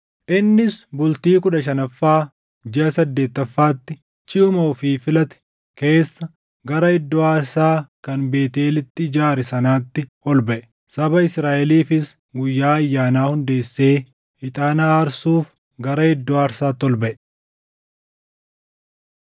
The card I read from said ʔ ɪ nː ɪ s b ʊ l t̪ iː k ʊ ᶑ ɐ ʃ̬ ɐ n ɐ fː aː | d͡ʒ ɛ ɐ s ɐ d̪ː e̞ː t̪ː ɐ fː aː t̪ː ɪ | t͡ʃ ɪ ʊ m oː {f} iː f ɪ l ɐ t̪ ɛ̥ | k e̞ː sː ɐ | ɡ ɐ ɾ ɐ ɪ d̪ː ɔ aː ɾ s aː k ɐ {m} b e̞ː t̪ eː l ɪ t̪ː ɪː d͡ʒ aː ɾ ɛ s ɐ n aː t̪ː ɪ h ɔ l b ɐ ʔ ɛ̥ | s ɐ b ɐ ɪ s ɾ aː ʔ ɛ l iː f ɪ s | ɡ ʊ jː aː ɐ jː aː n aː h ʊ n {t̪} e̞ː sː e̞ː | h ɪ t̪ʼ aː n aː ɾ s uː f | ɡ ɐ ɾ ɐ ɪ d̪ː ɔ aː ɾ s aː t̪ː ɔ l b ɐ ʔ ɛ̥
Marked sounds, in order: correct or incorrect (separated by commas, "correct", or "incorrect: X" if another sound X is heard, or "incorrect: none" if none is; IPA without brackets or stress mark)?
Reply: correct, incorrect: n, incorrect: d̪